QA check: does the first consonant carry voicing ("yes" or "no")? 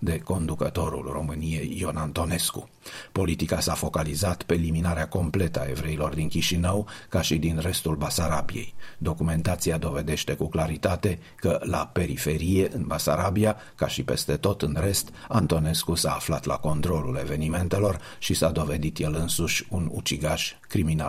yes